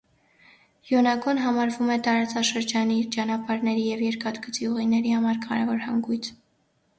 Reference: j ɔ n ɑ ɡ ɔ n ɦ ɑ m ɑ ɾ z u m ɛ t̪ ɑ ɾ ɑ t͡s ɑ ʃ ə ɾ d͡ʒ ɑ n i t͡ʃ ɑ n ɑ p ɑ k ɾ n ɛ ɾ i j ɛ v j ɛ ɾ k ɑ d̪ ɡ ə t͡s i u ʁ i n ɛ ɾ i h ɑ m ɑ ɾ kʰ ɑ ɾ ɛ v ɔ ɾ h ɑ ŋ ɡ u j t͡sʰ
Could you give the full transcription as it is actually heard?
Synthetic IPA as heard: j ɔ n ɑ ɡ ɔ n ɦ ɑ m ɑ ɾ v u m ɛ t̪ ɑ ɾ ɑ t͡s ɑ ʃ ə ɾ d͡ʒ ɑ n i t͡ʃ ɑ n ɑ p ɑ ɾ n ɛ ɾ i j ɛ v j ɛ ɾ k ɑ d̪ ɡ ə t͡s i u ʁ i n ɛ ɾ i h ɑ m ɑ ɾ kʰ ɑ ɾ ɛ v ɔ ɾ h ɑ ŋ ɡ u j t͡sʰ